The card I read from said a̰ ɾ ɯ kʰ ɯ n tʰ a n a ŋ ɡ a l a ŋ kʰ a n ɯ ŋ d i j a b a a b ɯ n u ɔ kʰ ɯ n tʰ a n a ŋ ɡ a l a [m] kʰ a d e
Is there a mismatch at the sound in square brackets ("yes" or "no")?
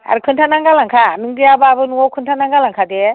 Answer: yes